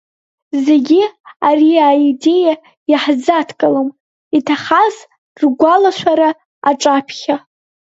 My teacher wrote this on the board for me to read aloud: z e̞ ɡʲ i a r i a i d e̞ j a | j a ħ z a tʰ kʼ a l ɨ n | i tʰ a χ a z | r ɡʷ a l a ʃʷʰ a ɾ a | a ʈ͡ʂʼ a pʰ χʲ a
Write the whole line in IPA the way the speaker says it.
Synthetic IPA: z e̞ ɡʲ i a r i a i d e̞ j a | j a ħ z a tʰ kʼ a l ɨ m | i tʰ a χ a z | r ɡʷ a l a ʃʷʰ a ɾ a | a ʈ͡ʂʼ a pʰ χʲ a